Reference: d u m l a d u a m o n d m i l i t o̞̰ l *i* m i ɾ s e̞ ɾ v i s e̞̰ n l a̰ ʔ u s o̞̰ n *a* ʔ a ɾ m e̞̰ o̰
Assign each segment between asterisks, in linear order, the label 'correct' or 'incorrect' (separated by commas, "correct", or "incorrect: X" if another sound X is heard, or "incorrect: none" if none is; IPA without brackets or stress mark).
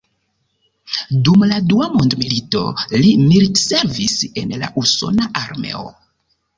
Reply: correct, correct